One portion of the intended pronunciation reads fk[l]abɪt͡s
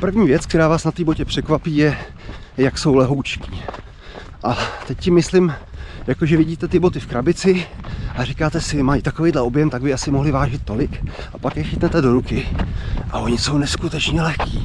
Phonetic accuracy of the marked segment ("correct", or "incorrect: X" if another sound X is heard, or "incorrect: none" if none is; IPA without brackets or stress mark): incorrect: ɾ